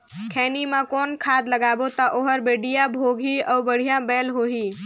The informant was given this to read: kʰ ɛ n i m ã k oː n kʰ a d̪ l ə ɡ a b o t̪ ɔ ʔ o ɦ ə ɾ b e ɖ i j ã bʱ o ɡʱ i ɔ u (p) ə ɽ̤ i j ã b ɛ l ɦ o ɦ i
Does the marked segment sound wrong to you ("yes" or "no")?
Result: yes